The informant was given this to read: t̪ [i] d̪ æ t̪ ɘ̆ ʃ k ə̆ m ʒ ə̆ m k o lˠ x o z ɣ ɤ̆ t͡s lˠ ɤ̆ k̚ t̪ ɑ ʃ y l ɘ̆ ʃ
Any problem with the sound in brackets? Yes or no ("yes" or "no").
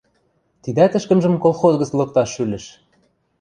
no